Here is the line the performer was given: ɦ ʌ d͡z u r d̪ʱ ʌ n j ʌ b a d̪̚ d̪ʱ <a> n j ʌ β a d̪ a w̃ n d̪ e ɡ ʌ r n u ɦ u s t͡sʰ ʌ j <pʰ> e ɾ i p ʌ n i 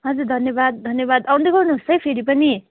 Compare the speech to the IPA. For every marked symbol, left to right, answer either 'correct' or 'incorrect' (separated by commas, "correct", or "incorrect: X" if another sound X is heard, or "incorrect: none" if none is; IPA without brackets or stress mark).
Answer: incorrect: ʌ, correct